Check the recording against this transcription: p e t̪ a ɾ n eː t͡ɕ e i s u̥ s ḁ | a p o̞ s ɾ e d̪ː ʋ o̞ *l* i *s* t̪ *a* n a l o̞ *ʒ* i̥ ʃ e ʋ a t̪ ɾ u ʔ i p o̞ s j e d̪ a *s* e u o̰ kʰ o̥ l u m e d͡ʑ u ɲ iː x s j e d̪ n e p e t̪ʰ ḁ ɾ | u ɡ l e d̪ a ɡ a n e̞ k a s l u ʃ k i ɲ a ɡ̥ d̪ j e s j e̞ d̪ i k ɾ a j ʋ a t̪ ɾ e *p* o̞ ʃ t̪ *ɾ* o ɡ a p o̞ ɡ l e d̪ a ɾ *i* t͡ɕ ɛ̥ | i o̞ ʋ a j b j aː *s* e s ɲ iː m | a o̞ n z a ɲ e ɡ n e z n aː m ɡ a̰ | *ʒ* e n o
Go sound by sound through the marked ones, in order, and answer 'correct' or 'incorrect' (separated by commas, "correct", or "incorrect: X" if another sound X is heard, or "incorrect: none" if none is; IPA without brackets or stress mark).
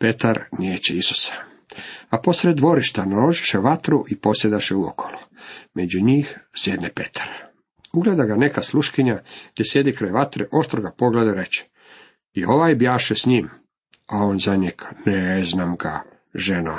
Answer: incorrect: ɾ, incorrect: ʃ, correct, correct, incorrect: ʃ, incorrect: ʔ, correct, incorrect: e, incorrect: ʃ, correct